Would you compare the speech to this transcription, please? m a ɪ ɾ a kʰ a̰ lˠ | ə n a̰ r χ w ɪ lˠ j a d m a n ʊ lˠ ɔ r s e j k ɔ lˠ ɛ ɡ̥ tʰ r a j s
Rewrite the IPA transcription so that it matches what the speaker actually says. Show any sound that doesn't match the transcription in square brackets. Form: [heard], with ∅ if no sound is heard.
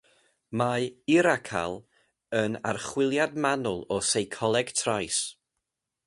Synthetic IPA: m a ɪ ɾ a kʰ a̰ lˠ | ə n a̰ r χ w ɪ lˠ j a d m a n ʊ lˠ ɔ [∅] s e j [kʰ] ɔ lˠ ɛ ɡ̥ tʰ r a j s

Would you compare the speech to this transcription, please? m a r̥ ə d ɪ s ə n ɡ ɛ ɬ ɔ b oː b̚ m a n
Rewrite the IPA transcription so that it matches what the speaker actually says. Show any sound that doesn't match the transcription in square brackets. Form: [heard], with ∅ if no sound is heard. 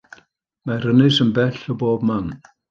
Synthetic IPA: m a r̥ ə [n] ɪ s ə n [b] ɛ ɬ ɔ b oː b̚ m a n

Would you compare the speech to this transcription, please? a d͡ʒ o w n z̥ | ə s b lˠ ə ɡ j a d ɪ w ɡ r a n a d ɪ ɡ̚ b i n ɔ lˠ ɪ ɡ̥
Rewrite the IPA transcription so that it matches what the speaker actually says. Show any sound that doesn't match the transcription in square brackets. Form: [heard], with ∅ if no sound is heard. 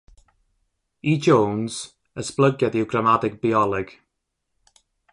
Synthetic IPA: [i] d͡ʒ o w n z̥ | ə s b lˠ ə ɡ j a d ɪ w ɡ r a [m] a d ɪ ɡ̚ b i [∅] ɔ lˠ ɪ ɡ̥

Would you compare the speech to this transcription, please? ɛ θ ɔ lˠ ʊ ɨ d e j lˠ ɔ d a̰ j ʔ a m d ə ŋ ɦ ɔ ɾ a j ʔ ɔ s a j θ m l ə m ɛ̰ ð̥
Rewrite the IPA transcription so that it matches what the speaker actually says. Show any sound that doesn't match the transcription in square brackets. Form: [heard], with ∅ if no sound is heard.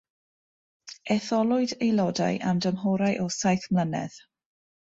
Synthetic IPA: ɛ θ ɔ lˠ ʊ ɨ d e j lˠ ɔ d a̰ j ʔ a m d ə [m] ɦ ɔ ɾ a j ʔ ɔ s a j θ m l ə [n] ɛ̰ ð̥

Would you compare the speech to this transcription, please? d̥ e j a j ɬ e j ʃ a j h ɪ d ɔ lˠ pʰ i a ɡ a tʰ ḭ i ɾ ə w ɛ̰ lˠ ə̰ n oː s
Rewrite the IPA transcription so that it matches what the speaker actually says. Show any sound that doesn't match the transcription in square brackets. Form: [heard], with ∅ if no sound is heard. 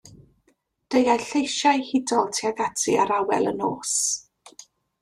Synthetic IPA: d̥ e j a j ɬ e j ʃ a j h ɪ d ɔ lˠ [tʰ] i a ɡ a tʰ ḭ [a] ɾ [a] w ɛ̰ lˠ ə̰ n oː s

